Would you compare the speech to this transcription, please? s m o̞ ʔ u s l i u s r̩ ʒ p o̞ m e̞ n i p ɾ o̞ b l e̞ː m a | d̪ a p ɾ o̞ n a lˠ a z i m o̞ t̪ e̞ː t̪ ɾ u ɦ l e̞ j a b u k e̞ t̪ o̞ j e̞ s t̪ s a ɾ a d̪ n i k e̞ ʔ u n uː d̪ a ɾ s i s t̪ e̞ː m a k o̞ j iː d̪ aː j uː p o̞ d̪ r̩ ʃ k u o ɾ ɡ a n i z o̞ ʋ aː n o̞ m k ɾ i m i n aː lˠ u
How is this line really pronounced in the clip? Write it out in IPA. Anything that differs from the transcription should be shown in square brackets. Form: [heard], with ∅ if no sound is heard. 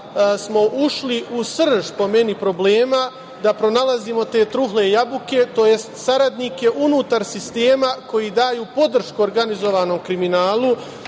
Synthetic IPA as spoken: s m o̞ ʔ u [ʃ] l i u s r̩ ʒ p o̞ m e̞ n i p ɾ o̞ b l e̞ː m a | d̪ a p ɾ o̞ n a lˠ a z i m o̞ t̪ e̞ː t̪ ɾ u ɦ l e̞ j a b u k e̞ t̪ o̞ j e̞ s t̪ s a ɾ a d̪ n i k e̞ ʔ u n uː [t̪] a ɾ s i s t̪ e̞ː m a k o̞ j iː d̪ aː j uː p o̞ d̪ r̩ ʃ k u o ɾ ɡ a n i z o̞ ʋ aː n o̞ m k ɾ i m i n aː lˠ u

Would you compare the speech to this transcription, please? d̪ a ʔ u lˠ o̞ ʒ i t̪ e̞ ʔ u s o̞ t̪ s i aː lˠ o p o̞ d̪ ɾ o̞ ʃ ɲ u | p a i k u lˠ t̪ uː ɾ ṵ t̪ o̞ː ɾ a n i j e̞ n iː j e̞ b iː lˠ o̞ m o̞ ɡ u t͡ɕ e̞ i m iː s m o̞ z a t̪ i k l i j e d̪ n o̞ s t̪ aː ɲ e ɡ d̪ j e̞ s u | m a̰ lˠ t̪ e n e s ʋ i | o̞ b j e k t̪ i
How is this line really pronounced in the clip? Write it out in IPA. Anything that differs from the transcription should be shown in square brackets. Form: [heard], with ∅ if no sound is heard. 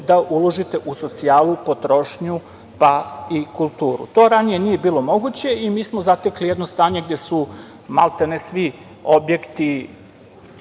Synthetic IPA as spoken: d̪ a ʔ u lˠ o̞ ʒ i t̪ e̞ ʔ u s o̞ t̪ s i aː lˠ [u] p o̞ [t̪] ɾ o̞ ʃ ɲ u | p a i k u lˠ t̪ uː ɾ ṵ t̪ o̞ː ɾ a n i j e̞ n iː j e̞ b iː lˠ o̞ m o̞ ɡ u t͡ɕ e̞ i m iː s m o̞ z a t̪ [e] k l i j e d̪ n o̞ s t̪ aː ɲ e ɡ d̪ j e̞ s u | m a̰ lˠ t̪ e n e s ʋ i | o̞ b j e k t̪ i

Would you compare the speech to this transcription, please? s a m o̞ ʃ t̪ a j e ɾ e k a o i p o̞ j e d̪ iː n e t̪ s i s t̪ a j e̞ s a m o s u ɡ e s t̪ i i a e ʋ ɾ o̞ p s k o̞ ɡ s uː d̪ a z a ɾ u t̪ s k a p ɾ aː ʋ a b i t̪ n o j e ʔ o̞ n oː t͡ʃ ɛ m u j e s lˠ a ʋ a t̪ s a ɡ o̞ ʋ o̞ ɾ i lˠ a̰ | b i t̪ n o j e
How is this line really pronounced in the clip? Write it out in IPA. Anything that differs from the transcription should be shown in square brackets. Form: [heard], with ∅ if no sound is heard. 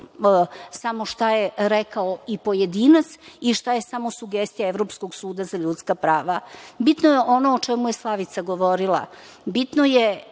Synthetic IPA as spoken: s a m o̞ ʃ t̪ a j e ɾ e k a o i p o̞ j e d̪ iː n [a] t̪ s i [ʃ] t̪ a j e̞ s a m o s u ɡ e s t̪ i [j] a e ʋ ɾ o̞ p s k o̞ ɡ s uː d̪ a z a [ʎ] u t̪ s k a p ɾ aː ʋ a b i t̪ n o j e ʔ o̞ n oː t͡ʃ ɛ m u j e s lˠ a ʋ [i] t̪ s a ɡ o̞ ʋ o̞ ɾ i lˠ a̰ | b i t̪ n o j e

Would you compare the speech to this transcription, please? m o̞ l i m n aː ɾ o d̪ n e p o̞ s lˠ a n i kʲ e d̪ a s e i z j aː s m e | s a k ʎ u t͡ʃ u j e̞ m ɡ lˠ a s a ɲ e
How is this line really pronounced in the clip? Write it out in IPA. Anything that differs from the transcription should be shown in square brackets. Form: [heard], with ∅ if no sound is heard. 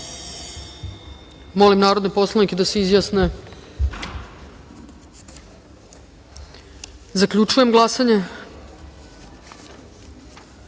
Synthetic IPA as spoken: m o̞ l i m n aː ɾ o d̪ n e p o̞ s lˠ a n i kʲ e d̪ a s e i z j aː s [n] e | [z] a k ʎ u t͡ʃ u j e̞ m ɡ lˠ a s a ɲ e

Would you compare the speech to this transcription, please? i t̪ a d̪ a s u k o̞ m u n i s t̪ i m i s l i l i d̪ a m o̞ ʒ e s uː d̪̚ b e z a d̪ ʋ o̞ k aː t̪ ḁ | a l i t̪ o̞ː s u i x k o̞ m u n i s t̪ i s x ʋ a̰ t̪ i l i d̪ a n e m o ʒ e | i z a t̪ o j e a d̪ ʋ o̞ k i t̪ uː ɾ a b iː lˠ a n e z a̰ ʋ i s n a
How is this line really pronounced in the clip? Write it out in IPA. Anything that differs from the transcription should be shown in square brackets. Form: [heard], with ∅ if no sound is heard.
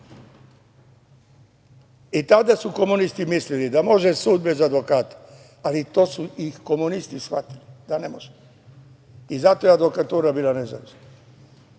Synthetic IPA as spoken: i t̪ a d̪ a s u k o̞ m u n i s t̪ i m i s l i l i d̪ a m o̞ ʒ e s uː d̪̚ b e z a d̪ ʋ o̞ k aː t̪ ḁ | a l i t̪ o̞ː s u i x k o̞ m u n i s t̪ i s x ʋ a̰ t̪ i l i d̪ a n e m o ʒ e | i z a t̪ o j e a d̪ ʋ o̞ k [a] t̪ uː ɾ a b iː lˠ a n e z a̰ ʋ i s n a

